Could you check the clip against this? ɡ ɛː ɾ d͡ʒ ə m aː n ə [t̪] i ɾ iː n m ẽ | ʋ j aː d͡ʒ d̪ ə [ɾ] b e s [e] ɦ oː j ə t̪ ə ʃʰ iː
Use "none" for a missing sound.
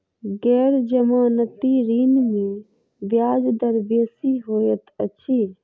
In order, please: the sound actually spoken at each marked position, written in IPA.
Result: t̪, ɾ, i

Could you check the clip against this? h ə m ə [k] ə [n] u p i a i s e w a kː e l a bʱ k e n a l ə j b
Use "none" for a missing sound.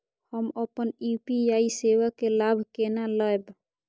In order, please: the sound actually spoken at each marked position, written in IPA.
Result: p, n

